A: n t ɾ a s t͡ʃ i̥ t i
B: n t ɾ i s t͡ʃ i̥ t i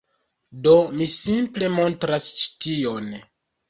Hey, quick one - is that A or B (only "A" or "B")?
A